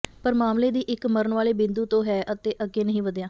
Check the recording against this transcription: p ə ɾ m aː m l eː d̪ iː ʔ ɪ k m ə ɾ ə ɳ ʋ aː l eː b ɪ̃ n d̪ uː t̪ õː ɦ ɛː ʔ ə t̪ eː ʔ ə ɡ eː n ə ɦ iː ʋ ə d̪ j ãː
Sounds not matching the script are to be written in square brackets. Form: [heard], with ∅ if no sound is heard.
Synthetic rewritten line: p ə ɾ m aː m l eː d̪ iː ʔ ɪ k m ə ɾ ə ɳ ʋ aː l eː b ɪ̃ n d̪ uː t̪ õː ɦ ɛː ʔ ə t̪ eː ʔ ə ɡ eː n ə ɦ [ĩː] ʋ ə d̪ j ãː